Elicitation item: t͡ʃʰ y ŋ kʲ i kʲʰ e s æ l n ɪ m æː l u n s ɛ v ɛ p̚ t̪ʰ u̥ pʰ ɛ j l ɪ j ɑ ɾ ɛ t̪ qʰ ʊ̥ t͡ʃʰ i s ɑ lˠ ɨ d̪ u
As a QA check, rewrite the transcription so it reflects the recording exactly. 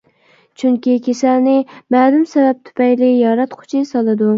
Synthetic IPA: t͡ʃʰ y ŋ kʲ i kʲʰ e s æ l n ɪ m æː l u m s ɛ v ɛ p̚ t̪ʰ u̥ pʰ ɛ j l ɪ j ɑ ɾ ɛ t̪ qʰ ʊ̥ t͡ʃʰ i s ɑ lˠ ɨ d̪ u